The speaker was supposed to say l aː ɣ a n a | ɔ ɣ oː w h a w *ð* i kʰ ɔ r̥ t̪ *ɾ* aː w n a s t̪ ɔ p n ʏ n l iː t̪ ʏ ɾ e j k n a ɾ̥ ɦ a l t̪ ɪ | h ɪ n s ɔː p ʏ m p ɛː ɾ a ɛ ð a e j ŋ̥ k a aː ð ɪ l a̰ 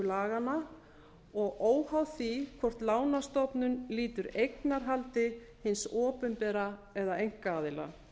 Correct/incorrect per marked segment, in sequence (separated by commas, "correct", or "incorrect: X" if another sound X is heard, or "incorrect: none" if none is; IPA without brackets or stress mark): incorrect: θ, incorrect: l